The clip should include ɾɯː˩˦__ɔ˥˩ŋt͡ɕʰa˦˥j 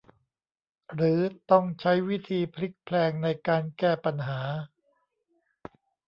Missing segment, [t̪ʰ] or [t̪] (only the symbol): t̪